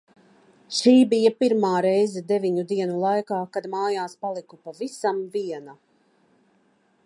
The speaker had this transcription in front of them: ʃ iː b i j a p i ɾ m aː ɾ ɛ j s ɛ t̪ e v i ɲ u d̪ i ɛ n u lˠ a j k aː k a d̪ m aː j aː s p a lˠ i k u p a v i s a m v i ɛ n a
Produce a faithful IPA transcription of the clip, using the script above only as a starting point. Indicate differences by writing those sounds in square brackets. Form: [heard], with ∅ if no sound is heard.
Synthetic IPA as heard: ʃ iː b i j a p i ɾ m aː ɾ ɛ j [z] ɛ [d̪] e v i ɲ u d̪ i ɛ n u lˠ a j k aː k a d̪ m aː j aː s p a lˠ i k u p a v i s a m v i ɛ n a